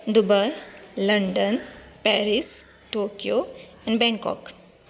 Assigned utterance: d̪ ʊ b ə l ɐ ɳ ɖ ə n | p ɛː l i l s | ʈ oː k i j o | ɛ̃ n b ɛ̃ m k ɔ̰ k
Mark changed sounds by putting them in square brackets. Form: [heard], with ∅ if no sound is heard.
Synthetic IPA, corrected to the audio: d̪ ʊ b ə l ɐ ɳ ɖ ə n | p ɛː [ɾ] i [∅] s | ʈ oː k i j o | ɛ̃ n b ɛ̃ [ŋ] k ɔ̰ k